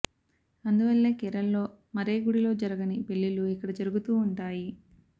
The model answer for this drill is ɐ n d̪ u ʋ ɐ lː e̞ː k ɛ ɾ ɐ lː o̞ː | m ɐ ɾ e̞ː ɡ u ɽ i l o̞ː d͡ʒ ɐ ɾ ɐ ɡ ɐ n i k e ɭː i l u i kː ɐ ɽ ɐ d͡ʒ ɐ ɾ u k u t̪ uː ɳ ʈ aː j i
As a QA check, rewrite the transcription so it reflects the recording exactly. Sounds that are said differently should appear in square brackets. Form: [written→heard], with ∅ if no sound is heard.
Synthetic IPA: ɐ n d̪ u ʋ ɐ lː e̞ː k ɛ ɾ ɐ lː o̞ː | m ɐ ɾ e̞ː ɡ u ɽ i l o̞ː d͡ʒ ɐ ɾ ɐ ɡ ɐ n i [k→p] e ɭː i l u i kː ɐ ɽ ɐ d͡ʒ ɐ ɾ u [k→ɡ] u t̪ uː ɳ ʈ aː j i